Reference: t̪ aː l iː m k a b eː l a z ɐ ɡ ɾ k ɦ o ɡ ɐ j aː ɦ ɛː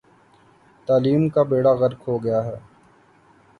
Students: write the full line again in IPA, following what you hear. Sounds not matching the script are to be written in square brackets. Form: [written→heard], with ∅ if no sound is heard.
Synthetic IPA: t̪ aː l iː m k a b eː [l→ɽ] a [z→ɣ] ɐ [ɡ→∅] ɾ k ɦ o ɡ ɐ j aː ɦ ɛː